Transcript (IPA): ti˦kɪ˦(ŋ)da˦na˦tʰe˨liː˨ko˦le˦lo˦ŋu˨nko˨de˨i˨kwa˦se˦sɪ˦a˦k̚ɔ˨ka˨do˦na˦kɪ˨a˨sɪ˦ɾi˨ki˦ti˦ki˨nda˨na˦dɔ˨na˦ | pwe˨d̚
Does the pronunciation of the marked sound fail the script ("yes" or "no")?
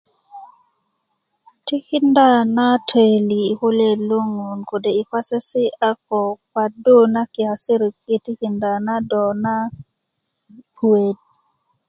yes